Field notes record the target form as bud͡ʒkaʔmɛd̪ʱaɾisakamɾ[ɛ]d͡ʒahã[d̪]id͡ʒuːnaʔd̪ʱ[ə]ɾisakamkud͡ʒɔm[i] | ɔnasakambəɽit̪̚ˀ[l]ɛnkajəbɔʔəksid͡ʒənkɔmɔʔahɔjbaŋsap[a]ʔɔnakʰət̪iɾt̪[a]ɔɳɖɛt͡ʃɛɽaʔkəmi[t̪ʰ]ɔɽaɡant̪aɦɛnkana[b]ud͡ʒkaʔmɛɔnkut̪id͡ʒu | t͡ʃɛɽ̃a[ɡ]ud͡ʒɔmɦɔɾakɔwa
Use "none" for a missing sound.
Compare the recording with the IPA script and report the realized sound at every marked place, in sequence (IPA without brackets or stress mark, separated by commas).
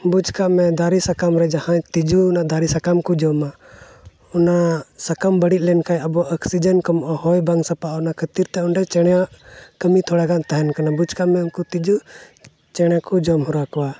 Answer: ɛ, t̪, a, a, l, a, ɛ, t̪ʰ, b, k